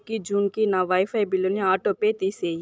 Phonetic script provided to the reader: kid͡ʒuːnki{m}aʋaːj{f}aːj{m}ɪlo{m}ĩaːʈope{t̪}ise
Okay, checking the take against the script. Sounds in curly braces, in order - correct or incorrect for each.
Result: incorrect: n, correct, incorrect: b, incorrect: n, correct

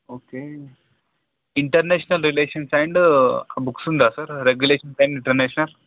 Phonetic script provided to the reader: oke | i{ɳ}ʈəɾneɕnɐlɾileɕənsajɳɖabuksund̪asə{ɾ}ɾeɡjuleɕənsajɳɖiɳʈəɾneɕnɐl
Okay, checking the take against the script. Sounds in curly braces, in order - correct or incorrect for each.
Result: correct, correct

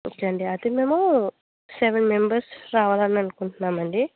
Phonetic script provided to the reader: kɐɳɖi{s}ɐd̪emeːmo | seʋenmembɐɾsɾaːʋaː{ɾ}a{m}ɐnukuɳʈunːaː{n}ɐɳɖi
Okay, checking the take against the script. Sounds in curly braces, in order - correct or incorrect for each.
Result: incorrect: none, incorrect: l, incorrect: n, incorrect: m

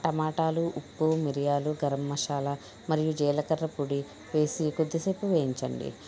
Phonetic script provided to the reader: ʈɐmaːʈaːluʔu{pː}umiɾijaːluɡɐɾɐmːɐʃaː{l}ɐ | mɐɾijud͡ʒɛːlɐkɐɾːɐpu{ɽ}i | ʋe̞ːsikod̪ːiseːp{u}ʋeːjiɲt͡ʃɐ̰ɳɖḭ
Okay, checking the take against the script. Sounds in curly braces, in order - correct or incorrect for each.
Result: correct, correct, correct, correct

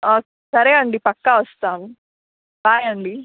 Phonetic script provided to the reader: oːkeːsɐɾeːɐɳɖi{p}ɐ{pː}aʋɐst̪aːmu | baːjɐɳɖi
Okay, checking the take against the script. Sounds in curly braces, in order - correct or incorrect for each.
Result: correct, incorrect: kː

